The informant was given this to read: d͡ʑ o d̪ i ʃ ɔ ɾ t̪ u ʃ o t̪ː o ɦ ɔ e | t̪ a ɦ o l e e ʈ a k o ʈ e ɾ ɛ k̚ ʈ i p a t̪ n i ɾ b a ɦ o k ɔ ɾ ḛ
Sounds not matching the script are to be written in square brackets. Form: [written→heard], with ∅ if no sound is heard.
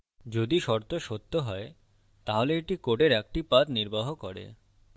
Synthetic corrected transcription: d͡ʑ o d̪ i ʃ ɔ ɾ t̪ [u→o] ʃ o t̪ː o ɦ ɔ e | t̪ a ɦ o l e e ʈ [a→i] k o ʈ e ɾ ɛ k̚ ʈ i p a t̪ n i ɾ b a ɦ o k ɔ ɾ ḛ

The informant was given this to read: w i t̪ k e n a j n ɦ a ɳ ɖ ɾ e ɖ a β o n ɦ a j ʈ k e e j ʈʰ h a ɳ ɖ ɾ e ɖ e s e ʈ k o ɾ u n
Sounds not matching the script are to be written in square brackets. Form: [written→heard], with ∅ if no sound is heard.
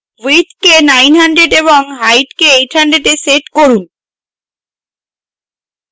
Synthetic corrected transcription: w i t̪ k e n a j n ɦ a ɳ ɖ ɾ e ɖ [a→e] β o [n→ŋ] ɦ a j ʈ k e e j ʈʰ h a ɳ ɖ ɾ e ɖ e s e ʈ k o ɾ u n

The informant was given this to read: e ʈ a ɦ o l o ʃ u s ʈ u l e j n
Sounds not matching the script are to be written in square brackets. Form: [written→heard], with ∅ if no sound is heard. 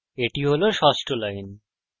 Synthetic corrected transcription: e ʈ [a→i] ɦ o l o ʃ [u→ɔ] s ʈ [u→o] l [e→a] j n

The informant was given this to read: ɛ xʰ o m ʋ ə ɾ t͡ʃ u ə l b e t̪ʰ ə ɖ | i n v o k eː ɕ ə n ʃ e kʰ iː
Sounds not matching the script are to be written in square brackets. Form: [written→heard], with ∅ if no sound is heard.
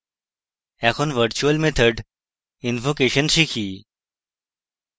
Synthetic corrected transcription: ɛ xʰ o [m→n] ʋ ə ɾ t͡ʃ u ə l [b→m] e t̪ʰ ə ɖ | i n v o k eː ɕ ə n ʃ [e→i] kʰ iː

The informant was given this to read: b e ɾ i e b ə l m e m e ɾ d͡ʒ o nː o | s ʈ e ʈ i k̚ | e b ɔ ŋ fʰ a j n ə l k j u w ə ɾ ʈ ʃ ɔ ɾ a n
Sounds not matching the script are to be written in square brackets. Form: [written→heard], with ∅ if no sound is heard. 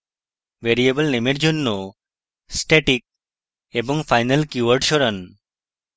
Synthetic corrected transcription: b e ɾ i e b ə l [m→n] e m e ɾ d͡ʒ o nː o | s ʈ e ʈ i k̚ | e b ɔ ŋ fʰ a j n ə l k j u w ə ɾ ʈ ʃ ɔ ɾ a n

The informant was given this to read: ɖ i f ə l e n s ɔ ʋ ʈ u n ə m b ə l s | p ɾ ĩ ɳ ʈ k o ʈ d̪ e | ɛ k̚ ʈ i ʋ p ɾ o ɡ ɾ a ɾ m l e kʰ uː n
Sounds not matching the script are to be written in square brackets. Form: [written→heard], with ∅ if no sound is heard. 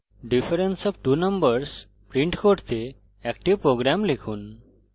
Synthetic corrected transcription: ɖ i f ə [l→ɾ] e n s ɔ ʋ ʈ u n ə m b ə [l→ɾ] s | p ɾ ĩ ɳ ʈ k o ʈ [d̪→t̪] e | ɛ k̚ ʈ i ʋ p ɾ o ɡ ɾ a [ɾ→∅] m l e kʰ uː n

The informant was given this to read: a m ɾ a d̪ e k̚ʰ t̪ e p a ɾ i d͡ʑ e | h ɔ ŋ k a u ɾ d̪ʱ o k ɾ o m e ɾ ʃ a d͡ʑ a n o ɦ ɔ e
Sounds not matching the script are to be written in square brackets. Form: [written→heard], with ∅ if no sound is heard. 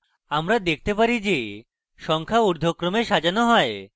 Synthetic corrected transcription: a m ɾ a d̪ e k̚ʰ t̪ e p a ɾ i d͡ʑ e | [h→ʃ] ɔ ŋ [k→kʰ] a u ɾ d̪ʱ o k ɾ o m e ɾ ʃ a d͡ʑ a n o ɦ ɔ e

